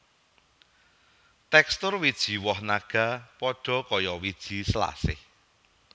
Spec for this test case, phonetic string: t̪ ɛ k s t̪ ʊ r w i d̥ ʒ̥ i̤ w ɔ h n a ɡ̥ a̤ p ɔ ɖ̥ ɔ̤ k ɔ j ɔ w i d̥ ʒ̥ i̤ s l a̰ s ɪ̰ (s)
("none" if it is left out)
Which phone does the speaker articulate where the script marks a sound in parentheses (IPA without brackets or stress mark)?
h